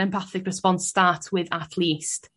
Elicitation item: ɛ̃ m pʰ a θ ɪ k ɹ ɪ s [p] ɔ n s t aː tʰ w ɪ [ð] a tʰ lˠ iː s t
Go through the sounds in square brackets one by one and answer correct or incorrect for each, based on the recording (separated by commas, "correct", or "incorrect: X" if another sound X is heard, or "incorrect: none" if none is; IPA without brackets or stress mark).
correct, correct